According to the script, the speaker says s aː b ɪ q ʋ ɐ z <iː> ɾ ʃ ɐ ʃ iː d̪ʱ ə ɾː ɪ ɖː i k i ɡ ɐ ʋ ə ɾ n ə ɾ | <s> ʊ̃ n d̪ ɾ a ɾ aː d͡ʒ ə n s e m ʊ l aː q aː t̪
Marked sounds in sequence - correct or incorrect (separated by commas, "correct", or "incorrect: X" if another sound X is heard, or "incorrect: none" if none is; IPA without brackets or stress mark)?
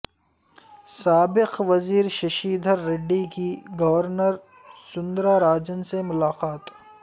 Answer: correct, correct